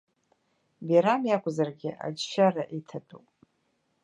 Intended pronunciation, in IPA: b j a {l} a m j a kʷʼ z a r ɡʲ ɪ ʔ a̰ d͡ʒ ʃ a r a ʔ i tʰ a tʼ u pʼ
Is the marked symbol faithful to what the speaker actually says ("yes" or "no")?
no